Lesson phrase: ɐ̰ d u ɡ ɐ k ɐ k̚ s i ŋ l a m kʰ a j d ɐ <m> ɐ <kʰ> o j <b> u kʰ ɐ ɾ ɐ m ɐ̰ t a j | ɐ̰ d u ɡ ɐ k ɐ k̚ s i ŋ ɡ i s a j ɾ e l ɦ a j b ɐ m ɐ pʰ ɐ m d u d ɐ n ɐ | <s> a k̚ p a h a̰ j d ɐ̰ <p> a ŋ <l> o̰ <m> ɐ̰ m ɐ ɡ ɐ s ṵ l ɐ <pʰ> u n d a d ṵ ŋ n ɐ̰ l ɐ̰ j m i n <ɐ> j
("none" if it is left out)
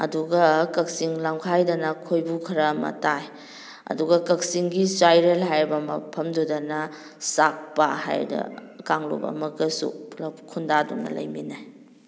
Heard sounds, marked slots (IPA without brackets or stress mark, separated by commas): n, kʰ, b, s, k, l, b, kʰ, a